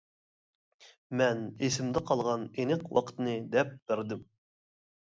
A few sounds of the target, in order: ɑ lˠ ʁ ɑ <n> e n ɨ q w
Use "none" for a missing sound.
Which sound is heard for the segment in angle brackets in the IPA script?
n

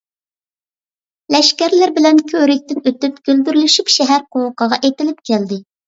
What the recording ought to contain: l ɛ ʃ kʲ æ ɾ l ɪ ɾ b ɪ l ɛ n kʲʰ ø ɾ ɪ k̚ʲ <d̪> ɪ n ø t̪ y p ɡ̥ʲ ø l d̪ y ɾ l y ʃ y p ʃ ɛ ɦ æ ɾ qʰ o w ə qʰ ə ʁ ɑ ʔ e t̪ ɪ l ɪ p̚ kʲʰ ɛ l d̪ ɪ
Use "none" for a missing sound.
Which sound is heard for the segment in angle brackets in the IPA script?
t̪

